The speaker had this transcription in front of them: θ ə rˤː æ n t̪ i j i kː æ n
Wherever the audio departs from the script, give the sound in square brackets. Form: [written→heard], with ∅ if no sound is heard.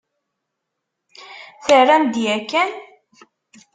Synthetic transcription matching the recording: θ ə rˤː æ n [t̪→d̪] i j [i→æ] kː æ n